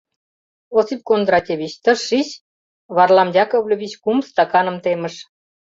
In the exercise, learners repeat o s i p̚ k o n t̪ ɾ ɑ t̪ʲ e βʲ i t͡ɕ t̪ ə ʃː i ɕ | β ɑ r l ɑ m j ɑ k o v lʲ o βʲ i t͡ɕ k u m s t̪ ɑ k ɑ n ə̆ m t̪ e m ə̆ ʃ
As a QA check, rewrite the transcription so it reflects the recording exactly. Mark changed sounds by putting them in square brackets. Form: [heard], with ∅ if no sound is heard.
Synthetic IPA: o s i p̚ k o n [d̪] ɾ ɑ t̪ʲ e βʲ i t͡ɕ t̪ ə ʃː i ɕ | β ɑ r l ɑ m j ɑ k o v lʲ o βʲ i t͡ɕ k u m s t̪ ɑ k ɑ n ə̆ m t̪ e m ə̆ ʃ